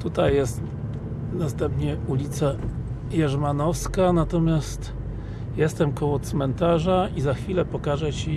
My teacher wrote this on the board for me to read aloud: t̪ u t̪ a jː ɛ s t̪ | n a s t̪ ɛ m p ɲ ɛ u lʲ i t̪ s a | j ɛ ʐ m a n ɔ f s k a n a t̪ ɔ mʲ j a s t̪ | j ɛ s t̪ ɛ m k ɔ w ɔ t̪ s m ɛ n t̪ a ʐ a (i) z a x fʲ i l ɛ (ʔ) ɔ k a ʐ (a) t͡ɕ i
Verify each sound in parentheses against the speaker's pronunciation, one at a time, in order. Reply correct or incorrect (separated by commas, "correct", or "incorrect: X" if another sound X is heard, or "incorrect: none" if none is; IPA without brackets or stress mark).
correct, incorrect: p, incorrect: ɛ